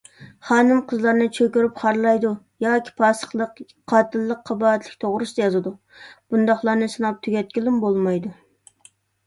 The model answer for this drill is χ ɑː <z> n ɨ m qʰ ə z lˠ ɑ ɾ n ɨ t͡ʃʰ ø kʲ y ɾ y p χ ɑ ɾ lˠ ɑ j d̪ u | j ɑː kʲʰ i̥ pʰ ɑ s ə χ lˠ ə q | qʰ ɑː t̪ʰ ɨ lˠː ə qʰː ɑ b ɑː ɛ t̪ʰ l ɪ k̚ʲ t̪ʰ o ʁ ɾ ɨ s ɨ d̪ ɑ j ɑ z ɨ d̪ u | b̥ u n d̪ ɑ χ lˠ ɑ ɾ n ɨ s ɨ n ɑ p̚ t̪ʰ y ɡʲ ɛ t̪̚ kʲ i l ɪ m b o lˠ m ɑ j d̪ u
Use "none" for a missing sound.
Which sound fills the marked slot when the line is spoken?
none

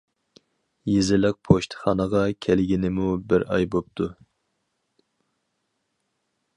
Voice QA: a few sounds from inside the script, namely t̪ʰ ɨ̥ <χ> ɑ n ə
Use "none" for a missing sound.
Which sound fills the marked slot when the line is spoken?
χ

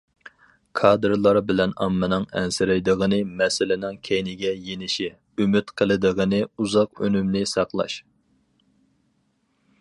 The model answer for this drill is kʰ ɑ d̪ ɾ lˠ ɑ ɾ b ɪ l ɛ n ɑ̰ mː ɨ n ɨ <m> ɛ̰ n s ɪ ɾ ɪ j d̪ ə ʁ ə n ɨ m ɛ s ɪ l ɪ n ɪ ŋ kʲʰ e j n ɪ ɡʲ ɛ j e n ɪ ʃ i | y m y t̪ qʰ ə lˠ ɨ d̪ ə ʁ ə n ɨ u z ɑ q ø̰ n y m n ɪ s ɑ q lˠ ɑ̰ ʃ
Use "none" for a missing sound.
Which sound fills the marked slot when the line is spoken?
ŋ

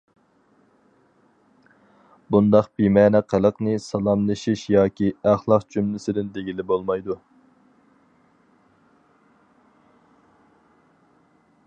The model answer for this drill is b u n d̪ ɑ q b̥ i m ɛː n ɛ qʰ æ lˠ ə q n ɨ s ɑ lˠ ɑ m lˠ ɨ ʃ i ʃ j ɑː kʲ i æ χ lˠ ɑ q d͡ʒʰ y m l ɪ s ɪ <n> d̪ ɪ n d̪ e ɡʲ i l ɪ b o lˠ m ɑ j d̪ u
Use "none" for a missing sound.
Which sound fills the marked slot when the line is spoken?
none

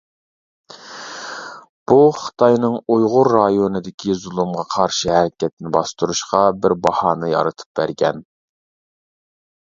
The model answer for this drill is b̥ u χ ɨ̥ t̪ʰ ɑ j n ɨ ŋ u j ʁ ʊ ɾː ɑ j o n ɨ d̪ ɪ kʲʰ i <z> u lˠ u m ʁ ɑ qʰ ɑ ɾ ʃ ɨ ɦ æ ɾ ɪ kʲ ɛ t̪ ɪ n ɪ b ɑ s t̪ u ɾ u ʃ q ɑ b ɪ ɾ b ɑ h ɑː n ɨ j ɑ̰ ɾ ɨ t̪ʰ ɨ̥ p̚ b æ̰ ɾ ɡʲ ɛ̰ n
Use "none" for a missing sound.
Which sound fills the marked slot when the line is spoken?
z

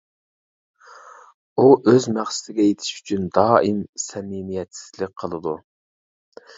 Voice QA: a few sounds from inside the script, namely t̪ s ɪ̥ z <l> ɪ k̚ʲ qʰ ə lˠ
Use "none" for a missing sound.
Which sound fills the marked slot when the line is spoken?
l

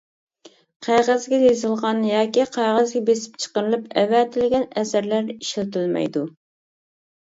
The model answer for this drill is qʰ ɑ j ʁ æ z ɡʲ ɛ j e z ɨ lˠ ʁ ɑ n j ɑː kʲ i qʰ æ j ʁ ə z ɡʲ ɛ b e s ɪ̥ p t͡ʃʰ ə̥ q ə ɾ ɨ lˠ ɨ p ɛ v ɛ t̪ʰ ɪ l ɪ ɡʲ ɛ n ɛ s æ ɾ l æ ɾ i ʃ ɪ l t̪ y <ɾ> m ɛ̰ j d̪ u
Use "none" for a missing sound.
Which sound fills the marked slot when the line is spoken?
l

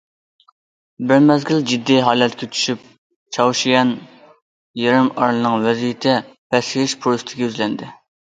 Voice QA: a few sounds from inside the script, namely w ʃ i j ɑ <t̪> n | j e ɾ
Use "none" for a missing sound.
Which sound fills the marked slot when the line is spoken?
none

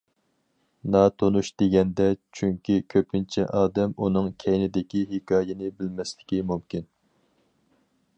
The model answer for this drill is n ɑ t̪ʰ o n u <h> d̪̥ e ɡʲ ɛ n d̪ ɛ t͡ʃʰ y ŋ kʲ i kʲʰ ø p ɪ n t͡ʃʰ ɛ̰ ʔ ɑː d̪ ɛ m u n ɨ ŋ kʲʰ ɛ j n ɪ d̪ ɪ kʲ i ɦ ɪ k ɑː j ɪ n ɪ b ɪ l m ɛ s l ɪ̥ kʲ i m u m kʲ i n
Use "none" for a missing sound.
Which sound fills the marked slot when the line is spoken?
ʃ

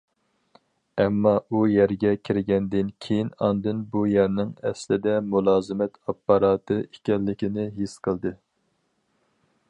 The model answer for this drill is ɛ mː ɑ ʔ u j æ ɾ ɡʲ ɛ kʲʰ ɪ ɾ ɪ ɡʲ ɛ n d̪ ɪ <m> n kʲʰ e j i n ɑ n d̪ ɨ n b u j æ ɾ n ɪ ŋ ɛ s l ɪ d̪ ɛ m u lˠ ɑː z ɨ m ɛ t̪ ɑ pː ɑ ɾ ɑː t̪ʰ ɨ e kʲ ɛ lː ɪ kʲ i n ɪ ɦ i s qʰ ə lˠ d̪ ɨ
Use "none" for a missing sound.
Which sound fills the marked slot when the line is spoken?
none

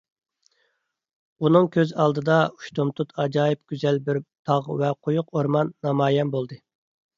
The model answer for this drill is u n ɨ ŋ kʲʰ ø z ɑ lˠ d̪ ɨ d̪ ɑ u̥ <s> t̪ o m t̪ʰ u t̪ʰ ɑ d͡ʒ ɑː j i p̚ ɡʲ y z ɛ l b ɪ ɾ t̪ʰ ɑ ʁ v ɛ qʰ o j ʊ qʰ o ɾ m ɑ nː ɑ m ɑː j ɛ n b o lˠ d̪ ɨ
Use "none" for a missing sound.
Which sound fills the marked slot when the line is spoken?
ʃ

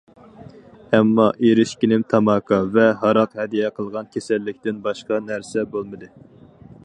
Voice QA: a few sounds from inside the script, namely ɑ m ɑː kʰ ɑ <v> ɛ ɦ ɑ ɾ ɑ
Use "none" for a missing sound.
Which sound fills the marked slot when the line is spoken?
v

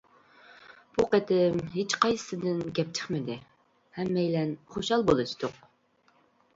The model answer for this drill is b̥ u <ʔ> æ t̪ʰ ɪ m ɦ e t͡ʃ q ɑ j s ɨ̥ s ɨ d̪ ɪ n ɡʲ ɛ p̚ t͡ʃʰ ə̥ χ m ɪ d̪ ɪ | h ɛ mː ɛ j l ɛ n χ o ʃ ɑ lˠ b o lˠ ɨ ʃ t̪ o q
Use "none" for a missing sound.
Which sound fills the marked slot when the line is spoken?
q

